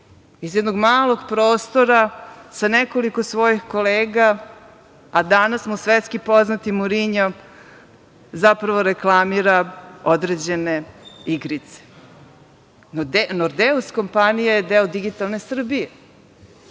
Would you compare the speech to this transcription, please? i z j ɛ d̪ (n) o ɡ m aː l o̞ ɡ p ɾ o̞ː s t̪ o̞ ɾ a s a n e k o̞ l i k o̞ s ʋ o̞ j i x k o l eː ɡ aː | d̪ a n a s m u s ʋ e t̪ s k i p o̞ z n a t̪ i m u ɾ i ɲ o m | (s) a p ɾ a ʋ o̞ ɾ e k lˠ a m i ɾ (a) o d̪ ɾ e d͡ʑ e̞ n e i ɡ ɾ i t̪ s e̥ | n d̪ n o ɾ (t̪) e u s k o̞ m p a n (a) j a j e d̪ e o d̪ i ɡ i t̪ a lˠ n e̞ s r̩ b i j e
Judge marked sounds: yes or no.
yes, no, yes, no, no

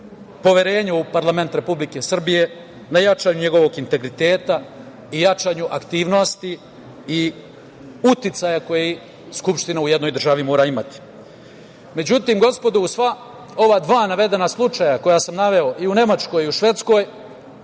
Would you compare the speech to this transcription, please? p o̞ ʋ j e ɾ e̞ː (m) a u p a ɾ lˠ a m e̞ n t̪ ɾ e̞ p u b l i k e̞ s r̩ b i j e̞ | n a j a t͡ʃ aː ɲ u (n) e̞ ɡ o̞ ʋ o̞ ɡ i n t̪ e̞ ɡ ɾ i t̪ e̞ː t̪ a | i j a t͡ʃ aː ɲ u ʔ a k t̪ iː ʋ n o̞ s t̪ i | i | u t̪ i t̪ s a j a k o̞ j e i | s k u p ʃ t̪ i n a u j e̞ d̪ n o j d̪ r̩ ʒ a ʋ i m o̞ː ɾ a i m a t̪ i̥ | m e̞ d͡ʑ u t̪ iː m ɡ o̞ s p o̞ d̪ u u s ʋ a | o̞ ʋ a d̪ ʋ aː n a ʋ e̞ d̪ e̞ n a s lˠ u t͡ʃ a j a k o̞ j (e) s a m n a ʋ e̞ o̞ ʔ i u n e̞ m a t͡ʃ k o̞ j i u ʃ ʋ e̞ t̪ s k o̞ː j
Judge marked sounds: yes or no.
no, no, no

